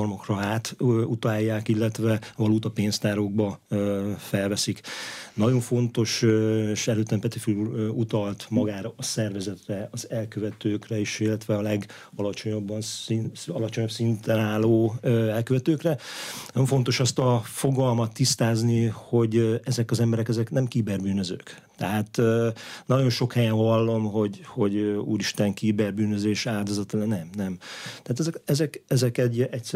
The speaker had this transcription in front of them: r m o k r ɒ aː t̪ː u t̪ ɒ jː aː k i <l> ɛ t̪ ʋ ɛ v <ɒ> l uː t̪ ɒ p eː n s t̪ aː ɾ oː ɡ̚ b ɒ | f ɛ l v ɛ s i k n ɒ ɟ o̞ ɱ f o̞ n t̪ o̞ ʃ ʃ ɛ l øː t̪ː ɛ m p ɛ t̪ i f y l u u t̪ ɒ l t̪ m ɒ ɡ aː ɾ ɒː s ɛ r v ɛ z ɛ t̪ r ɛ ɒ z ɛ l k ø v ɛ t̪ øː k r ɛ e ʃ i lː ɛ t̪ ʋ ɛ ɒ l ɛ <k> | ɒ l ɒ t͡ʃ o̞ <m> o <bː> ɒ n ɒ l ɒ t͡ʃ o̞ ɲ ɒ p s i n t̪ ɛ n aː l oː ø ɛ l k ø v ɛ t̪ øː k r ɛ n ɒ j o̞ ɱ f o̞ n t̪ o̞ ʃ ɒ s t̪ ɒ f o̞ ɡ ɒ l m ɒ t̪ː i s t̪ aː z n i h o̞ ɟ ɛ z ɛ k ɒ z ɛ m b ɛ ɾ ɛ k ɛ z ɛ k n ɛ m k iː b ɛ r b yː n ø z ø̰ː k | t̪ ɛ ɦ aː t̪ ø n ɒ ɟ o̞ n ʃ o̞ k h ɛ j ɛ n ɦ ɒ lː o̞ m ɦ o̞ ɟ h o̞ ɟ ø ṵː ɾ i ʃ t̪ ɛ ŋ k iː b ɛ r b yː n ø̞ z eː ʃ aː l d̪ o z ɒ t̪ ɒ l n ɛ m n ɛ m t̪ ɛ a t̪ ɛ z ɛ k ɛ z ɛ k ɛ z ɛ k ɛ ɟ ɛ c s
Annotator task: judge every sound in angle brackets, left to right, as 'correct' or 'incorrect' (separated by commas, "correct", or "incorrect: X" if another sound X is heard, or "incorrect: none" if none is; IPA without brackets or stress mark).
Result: incorrect: lː, correct, incorrect: ɡ, incorrect: ɲ, correct